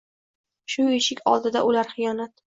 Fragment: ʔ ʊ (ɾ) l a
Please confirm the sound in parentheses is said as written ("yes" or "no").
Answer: no